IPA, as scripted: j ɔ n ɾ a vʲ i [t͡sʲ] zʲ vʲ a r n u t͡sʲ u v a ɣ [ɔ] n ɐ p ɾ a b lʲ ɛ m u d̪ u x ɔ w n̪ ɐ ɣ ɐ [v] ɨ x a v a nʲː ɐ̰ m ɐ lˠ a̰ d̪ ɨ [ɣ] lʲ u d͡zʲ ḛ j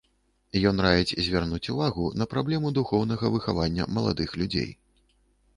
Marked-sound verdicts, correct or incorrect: correct, incorrect, correct, incorrect

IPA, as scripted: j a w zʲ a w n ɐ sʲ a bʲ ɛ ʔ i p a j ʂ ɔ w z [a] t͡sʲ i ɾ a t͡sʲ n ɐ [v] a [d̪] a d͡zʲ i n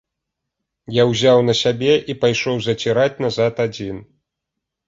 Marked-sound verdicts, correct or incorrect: incorrect, incorrect, incorrect

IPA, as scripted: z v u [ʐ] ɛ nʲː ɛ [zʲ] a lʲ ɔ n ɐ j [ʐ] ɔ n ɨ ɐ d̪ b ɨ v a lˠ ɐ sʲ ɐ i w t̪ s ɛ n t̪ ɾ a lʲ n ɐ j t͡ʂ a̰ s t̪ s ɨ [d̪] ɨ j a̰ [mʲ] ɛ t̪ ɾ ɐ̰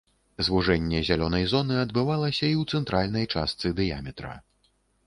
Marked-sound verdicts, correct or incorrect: correct, correct, incorrect, correct, correct

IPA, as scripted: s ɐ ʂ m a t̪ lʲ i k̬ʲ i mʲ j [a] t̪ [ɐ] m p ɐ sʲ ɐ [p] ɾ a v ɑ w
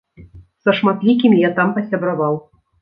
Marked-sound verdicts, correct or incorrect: correct, incorrect, incorrect

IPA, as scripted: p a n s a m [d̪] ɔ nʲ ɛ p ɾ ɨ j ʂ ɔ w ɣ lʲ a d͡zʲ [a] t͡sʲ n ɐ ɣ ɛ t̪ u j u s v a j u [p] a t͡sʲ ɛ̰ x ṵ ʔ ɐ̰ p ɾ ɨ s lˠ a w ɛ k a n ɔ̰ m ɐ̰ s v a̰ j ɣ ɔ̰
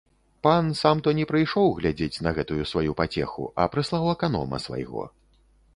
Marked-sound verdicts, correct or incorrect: incorrect, incorrect, correct

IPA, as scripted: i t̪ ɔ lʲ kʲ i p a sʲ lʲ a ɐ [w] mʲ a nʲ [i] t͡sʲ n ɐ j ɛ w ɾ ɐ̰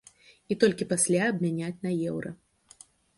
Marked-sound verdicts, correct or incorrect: incorrect, incorrect

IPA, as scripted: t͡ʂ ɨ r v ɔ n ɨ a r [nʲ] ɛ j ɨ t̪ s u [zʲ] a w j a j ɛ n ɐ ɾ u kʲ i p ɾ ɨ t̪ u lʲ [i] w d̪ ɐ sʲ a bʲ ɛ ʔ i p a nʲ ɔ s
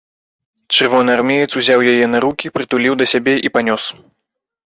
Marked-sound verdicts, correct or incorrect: incorrect, correct, correct

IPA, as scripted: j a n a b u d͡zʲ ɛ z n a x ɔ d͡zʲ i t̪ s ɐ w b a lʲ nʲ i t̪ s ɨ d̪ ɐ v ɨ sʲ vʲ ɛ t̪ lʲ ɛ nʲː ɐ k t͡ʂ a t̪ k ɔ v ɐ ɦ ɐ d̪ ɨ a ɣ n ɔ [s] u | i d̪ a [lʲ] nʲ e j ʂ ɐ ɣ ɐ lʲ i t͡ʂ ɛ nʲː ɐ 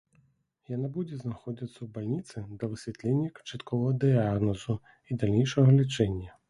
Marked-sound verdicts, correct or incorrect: incorrect, correct

